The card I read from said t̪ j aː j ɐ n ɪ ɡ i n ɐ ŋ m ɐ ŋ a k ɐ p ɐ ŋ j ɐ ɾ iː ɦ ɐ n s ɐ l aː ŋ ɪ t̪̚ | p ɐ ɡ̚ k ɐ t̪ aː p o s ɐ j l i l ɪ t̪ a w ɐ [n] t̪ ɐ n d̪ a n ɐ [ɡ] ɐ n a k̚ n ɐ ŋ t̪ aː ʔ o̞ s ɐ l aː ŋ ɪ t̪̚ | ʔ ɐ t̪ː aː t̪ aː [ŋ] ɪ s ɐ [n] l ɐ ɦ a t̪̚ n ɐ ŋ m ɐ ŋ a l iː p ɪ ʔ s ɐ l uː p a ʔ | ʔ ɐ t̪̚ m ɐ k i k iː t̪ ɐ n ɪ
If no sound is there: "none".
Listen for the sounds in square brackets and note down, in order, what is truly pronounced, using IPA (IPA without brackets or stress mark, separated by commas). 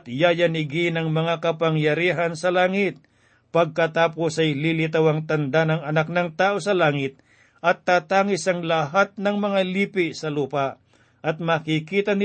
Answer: ŋ, ŋ, ŋ, ŋ